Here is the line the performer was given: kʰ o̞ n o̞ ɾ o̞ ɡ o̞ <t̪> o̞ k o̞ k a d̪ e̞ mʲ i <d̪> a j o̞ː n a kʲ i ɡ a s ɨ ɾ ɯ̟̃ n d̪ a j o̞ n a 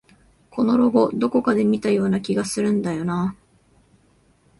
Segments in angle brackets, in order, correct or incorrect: incorrect: d̪, incorrect: t̪

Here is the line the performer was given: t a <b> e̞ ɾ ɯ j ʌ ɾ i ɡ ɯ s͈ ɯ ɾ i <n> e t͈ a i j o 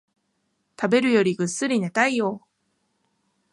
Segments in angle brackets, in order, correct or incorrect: correct, correct

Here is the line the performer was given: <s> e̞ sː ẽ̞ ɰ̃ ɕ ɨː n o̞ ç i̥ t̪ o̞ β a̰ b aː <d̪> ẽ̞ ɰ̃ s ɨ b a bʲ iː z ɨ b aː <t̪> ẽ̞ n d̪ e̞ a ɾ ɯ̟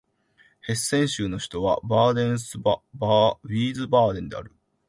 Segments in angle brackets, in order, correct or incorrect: incorrect: h, correct, incorrect: d̪

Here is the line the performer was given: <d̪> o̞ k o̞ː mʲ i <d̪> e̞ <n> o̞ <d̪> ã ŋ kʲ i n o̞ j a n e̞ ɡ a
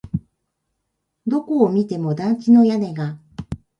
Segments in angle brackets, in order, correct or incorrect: correct, incorrect: t̪, incorrect: m, correct

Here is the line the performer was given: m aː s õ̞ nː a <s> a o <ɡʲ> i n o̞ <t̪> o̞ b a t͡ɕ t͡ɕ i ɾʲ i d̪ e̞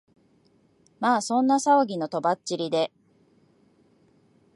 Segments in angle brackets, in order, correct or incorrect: correct, correct, correct

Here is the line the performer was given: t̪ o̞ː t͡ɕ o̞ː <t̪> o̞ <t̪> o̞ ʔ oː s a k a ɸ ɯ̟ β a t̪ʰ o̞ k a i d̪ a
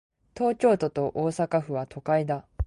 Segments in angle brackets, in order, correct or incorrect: correct, correct

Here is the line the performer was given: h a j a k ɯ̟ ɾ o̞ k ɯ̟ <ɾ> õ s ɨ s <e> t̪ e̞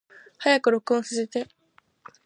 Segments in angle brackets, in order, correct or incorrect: incorrect: none, correct

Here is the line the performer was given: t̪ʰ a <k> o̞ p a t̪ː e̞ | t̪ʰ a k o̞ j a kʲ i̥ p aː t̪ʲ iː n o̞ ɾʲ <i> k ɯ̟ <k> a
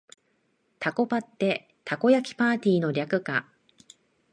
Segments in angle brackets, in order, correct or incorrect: correct, incorrect: a, correct

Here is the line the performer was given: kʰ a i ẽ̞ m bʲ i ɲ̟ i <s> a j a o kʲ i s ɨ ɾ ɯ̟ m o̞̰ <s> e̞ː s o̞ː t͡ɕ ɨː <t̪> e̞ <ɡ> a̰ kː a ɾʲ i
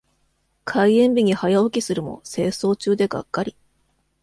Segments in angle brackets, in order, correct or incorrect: incorrect: h, correct, incorrect: d̪, correct

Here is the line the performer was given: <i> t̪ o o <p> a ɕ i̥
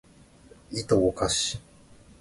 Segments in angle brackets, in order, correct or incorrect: correct, incorrect: k

